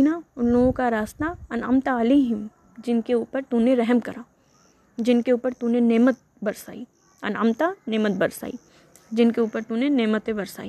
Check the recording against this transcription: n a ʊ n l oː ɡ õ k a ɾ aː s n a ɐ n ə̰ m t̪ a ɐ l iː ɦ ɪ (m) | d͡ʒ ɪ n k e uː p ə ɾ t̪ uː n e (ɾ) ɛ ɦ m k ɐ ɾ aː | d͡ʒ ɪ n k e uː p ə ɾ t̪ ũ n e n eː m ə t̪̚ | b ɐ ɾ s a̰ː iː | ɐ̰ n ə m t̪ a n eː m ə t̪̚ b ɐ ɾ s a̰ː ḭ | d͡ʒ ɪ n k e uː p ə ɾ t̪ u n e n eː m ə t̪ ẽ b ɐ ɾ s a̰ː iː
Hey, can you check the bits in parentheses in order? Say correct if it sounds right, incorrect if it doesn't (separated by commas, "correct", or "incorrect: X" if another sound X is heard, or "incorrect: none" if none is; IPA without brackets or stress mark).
correct, correct